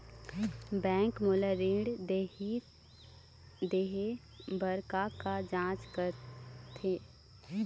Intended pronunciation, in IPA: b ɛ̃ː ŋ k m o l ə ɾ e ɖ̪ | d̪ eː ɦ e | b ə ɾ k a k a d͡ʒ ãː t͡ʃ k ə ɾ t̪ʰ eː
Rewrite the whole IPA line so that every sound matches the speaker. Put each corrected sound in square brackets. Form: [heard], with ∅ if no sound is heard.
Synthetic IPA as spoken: b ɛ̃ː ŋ k m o l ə ɾ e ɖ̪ | d̪ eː ɦ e | b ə ɾ k a k a d͡ʒ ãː t͡ʃ k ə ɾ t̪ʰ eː